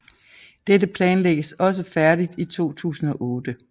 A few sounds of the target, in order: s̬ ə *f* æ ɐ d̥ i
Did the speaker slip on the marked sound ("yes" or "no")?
no